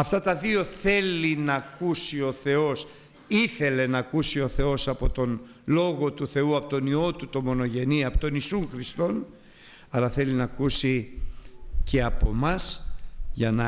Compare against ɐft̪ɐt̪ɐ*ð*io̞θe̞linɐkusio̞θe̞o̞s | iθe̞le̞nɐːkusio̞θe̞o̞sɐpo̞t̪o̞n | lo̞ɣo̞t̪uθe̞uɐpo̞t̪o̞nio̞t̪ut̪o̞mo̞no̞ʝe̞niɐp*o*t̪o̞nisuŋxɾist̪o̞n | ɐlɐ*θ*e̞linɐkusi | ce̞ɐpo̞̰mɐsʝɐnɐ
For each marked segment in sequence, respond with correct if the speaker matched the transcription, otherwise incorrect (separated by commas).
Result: correct, correct, correct